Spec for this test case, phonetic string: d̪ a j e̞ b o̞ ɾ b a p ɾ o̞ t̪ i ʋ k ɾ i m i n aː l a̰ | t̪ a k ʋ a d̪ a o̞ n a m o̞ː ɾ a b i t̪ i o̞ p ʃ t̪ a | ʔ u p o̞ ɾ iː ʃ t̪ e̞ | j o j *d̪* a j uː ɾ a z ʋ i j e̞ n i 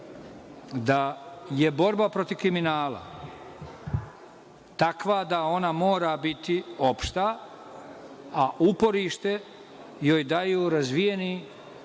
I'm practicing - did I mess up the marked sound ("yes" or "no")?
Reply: no